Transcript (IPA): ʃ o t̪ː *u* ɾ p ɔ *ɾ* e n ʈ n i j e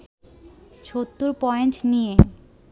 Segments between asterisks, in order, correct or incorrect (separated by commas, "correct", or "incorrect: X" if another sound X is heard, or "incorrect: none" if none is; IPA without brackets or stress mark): correct, incorrect: none